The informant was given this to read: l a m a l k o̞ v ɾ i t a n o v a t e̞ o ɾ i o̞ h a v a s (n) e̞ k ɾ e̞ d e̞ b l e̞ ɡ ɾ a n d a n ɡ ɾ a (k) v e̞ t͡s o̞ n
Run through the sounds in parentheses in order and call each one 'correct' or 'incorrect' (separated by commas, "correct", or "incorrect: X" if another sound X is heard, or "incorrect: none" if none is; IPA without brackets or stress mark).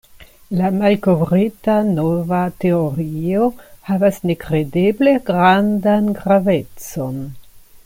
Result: correct, incorrect: none